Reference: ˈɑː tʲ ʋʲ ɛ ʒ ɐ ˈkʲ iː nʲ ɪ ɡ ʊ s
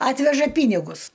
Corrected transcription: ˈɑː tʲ ʋʲ ɛ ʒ ɐ ˈpʲ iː nʲ ɪ ɡ ʊ s